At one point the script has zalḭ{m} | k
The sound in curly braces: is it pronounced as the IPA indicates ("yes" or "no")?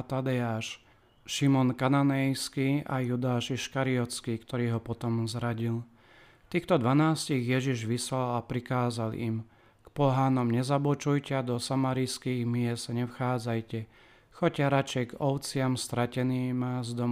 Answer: yes